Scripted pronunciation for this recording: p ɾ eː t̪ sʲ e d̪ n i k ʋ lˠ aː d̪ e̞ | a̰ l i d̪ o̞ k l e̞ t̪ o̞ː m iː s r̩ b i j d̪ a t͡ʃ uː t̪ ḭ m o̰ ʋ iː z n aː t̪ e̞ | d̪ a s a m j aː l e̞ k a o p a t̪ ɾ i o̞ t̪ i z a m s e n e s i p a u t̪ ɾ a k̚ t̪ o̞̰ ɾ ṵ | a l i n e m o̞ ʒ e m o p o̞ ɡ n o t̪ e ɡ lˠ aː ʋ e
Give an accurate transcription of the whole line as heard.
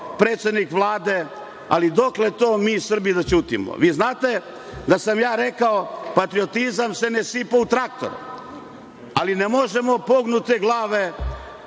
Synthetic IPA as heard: p ɾ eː t̪ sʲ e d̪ n i k ʋ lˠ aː d̪ e̞ | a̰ l i d̪ o̞ k l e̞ t̪ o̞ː m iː s r̩ b i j d̪ a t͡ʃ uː t̪ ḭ m o̰ ʋ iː z n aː t̪ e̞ | d̪ a s a m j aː ɾ e̞ k a o p a t̪ ɾ i o̞ t̪ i z a m s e n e s i p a u t̪ ɾ a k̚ t̪ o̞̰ ɾ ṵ | a l i n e m o̞ ʒ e m o p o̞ ɡ n u t̪ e ɡ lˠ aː ʋ e